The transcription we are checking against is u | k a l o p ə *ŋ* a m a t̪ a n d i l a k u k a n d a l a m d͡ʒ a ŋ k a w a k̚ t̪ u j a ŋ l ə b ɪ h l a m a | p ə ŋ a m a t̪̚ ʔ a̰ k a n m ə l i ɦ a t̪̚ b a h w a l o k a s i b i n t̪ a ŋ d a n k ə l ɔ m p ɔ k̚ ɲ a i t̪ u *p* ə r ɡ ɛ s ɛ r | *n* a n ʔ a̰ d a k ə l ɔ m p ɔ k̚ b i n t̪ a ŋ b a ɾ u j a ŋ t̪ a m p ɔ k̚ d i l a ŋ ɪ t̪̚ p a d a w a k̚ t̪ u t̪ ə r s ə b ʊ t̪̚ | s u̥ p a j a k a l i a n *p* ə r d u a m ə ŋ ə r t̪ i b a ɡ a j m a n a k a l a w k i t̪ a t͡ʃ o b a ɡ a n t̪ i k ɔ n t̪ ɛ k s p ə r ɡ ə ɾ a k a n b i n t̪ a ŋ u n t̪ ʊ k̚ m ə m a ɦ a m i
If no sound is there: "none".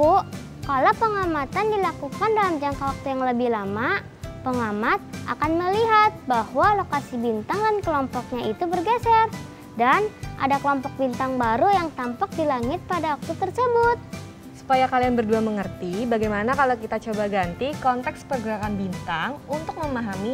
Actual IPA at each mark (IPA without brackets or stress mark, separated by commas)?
ŋ, b, d, b